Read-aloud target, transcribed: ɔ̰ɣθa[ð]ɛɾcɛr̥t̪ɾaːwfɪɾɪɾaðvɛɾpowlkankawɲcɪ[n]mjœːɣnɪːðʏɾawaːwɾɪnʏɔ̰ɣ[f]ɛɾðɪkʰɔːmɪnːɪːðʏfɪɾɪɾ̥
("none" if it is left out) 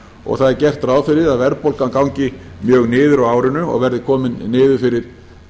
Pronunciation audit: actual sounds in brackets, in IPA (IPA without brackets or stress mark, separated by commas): ð, none, v